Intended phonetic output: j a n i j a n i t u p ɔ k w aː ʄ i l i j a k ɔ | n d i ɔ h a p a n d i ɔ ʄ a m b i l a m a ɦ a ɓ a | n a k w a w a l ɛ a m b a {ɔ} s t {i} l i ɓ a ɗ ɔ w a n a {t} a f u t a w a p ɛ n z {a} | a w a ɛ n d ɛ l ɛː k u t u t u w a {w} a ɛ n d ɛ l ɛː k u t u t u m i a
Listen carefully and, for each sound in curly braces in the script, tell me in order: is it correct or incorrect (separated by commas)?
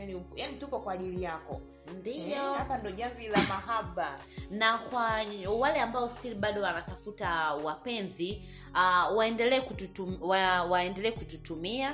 correct, correct, correct, incorrect, correct